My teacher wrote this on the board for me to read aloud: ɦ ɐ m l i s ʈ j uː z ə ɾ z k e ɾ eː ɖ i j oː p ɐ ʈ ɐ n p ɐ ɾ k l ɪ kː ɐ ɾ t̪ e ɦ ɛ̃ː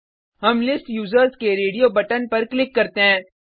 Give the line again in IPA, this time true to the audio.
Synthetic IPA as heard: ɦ ɐ m l ɪ s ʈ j uː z ə ɾ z k e ɾ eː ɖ i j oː b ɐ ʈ ə n p ɐ ɾ k l ɪ kː ɐ ɾ t̪ e ɦ ɛ̃ː